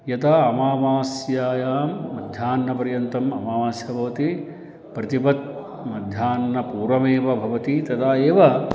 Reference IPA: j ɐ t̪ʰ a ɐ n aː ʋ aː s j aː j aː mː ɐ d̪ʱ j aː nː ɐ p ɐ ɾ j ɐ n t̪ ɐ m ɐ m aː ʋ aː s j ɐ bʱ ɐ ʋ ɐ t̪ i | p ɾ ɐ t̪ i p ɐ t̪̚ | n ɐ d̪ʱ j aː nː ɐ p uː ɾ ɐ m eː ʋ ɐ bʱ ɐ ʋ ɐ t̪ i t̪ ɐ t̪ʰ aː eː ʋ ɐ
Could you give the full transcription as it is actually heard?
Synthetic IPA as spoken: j ɐ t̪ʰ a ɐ m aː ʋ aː s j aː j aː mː ɐ d̪ʱ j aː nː ɐ p ɐ ɾ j ɐ n t̪ ɐ m ɐ m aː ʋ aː s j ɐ bʱ ɐ ʋ ɐ t̪ i | p ɾ ɐ t̪ i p ɐ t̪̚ | m ɐ d̪ʱ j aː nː ɐ p uː ɾ ɐ m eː ʋ ɐ bʱ ɐ ʋ ɐ t̪ i t̪ ɐ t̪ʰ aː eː ʋ ɐ